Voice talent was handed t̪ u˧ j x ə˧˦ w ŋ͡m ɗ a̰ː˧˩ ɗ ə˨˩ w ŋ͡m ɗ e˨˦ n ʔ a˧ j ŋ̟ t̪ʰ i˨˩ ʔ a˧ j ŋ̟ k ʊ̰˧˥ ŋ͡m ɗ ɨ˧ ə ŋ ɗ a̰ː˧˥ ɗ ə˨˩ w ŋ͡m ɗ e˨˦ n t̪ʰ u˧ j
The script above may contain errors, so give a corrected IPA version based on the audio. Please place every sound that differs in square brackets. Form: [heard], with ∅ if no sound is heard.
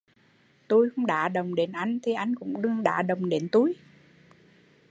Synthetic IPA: t̪ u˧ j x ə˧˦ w ŋ͡m ɗ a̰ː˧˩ ɗ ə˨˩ w ŋ͡m ɗ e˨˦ n ʔ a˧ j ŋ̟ t̪ʰ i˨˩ ʔ a˧ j ŋ̟ k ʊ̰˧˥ ŋ͡m ɗ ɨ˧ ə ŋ ɗ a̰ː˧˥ ɗ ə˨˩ w ŋ͡m ɗ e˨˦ n [t̪] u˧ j